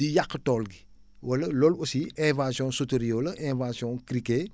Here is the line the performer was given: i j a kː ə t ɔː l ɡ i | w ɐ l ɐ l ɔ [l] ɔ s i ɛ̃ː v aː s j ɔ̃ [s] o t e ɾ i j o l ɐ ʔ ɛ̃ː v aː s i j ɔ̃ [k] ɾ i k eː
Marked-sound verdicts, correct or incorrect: correct, correct, correct

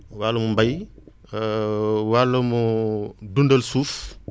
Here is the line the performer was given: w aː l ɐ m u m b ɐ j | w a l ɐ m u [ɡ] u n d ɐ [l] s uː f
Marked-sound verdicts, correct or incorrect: incorrect: d, correct

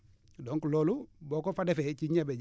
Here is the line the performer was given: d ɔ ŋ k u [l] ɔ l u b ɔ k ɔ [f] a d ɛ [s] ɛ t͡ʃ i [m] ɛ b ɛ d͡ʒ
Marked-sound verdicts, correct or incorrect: correct, correct, incorrect: f, incorrect: ɲ

